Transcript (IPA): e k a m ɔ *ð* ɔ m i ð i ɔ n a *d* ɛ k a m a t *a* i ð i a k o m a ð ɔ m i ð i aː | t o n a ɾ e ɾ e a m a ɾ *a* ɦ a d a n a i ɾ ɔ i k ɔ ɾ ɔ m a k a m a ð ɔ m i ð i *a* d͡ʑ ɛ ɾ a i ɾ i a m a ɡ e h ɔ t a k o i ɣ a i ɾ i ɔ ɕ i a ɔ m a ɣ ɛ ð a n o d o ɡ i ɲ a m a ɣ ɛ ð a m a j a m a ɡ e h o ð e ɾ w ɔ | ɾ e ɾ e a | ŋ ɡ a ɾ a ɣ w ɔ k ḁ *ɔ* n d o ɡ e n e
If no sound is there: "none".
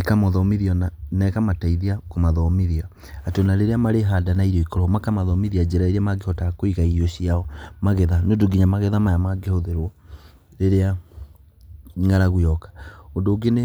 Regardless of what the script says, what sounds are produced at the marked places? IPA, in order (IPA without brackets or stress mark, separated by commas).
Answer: ð, n, a, e, a, o